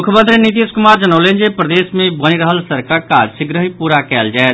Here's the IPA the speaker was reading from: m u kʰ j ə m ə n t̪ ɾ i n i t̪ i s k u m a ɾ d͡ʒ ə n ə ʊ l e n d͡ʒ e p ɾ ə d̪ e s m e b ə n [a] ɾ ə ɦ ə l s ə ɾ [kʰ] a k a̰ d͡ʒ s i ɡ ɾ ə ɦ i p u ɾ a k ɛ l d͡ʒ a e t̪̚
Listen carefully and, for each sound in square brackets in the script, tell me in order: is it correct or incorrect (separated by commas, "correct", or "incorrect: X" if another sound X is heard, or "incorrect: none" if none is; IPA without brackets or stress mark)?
incorrect: i, incorrect: k